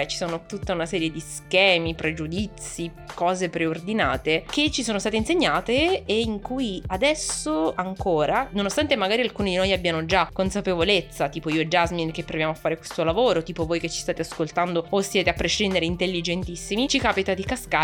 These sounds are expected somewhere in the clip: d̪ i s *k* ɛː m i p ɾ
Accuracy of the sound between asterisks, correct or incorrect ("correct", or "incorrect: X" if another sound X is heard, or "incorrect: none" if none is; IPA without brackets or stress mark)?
correct